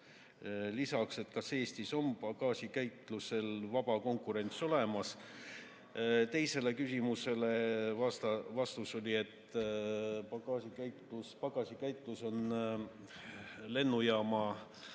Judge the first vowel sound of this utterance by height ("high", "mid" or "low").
high